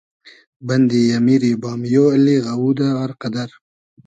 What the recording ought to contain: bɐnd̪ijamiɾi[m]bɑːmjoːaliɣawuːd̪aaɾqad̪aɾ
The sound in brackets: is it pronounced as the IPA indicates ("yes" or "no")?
no